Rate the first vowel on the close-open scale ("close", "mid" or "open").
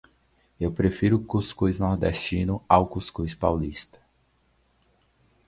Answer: mid